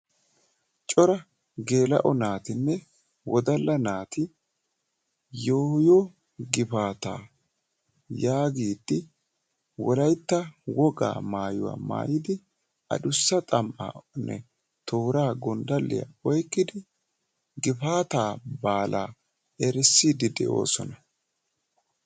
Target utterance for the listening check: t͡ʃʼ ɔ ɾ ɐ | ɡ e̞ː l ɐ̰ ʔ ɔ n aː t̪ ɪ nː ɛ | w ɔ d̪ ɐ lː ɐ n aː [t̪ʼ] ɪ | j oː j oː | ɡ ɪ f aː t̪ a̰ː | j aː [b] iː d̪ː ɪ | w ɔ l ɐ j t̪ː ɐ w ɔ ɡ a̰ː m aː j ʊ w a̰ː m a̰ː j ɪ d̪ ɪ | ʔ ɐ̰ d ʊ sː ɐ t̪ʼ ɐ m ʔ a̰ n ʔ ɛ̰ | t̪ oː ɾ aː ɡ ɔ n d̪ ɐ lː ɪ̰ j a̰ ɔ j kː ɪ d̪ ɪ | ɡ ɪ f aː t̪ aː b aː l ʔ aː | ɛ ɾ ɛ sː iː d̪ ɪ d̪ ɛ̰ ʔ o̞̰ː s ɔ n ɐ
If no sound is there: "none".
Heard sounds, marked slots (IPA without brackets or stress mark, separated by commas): t̪, ɡ